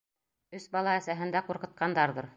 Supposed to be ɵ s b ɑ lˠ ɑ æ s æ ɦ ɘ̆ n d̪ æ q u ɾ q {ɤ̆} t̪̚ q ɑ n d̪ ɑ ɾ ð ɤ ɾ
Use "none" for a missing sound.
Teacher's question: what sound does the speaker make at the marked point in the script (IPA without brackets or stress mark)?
ɤ̆